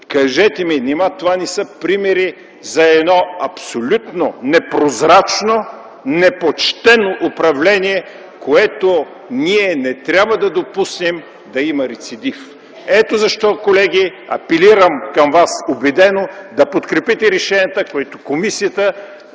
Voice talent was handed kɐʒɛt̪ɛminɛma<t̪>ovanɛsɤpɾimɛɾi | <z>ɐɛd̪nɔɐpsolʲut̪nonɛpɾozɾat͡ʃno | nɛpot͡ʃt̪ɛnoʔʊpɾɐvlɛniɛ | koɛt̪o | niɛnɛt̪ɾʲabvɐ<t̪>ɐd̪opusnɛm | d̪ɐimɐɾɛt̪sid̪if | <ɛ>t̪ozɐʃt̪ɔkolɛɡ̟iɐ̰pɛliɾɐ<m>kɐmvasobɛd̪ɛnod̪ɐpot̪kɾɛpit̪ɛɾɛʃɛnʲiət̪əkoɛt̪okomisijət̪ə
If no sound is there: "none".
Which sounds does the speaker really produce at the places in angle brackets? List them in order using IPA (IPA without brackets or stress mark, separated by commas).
t̪, z, d̪, ɛ, m